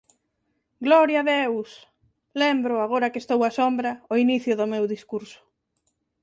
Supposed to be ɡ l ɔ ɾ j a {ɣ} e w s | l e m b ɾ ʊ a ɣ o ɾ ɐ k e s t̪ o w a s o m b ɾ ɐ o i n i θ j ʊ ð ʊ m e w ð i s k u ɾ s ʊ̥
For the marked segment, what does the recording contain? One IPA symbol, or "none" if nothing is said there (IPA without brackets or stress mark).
ð